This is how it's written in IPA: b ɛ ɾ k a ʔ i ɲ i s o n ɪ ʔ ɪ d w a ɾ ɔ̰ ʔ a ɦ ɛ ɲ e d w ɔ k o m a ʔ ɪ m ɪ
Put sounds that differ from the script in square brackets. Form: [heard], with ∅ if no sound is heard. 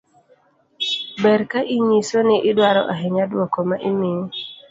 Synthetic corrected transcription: b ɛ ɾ k a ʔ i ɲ i s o n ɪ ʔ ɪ d w a ɾ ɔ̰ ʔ a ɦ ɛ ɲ [a] d w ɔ k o m a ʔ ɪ m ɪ